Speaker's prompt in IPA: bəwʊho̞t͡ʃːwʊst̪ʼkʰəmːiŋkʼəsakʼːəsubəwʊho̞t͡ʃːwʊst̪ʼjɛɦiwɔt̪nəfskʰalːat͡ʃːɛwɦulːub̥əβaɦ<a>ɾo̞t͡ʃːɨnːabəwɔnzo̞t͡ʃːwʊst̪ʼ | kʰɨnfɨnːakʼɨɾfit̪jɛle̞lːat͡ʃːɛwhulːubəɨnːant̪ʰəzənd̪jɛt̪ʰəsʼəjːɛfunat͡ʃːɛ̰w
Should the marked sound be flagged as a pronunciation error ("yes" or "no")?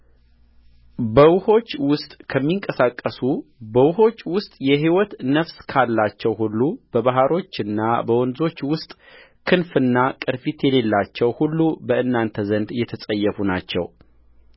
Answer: no